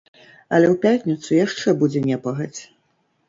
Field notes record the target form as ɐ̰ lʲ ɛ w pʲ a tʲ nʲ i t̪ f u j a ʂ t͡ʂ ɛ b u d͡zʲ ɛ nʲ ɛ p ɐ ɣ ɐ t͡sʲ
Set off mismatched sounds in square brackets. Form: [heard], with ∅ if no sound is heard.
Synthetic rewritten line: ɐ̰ lʲ ɛ w pʲ a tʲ nʲ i t̪ [s] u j a ʂ t͡ʂ ɛ b u d͡zʲ ɛ nʲ ɛ p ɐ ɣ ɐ t͡sʲ